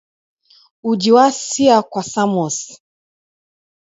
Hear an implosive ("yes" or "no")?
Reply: no